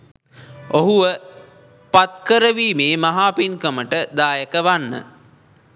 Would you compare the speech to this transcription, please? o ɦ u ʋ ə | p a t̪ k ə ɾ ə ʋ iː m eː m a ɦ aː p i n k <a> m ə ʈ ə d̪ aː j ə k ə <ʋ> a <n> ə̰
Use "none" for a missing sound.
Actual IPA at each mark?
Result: ə, ʋ, nː

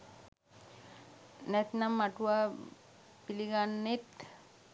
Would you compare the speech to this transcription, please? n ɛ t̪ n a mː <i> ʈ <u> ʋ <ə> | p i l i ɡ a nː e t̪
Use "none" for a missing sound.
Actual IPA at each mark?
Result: a, u, a

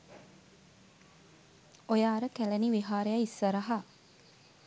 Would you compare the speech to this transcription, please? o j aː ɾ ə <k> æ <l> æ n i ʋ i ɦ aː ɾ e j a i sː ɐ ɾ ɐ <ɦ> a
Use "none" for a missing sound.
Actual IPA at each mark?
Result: k, l, ɦ

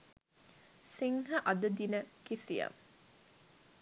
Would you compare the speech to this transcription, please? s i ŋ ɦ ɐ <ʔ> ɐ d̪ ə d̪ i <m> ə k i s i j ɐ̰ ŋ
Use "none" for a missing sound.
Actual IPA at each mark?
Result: ʔ, n

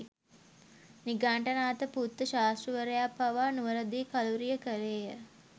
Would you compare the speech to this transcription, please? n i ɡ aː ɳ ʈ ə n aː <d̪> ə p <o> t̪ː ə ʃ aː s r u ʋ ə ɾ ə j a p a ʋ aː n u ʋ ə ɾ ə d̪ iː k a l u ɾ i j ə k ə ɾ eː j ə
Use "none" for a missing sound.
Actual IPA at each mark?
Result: t̪, u

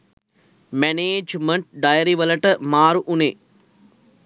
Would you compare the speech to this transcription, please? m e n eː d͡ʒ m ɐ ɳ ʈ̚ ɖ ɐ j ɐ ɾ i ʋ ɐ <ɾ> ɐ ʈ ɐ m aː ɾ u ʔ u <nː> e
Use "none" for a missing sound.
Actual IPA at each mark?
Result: l, n

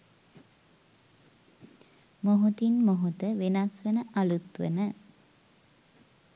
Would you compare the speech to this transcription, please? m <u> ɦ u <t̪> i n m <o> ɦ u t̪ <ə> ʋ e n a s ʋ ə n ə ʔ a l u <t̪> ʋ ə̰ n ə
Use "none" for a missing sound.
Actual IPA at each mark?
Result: o, t̪, o, ə, t̪

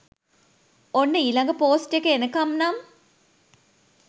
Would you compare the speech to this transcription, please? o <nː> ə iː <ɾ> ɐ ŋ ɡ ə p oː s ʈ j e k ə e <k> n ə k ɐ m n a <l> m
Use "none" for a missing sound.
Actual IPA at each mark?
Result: nː, l, none, none

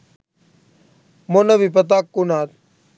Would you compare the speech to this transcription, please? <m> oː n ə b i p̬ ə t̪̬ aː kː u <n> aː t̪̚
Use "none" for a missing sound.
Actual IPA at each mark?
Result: m, n

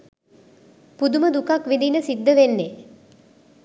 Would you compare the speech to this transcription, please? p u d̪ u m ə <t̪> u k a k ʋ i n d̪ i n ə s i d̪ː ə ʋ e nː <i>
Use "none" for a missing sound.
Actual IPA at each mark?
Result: d̪, e

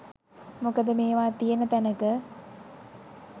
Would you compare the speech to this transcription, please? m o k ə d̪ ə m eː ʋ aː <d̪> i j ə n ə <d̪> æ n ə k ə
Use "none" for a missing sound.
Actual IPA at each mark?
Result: t̪, t̪

